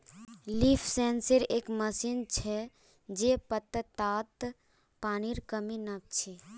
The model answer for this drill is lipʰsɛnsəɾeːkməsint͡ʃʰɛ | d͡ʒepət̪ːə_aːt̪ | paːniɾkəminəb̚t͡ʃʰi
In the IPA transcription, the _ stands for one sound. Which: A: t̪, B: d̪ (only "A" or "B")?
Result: A